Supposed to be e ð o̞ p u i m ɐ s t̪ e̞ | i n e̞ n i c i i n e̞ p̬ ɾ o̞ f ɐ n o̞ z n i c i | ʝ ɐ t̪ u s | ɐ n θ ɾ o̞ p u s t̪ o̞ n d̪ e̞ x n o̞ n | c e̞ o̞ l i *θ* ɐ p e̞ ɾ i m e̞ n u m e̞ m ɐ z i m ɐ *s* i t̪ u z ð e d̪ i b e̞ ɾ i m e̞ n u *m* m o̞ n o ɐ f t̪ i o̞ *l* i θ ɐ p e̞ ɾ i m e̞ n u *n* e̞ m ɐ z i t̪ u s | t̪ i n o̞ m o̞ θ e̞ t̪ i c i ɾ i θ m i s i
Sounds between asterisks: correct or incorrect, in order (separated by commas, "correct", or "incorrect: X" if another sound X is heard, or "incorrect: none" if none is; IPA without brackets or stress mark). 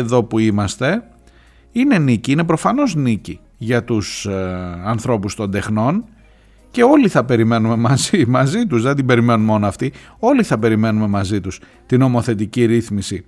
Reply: correct, incorrect: z, incorrect: n, correct, incorrect: m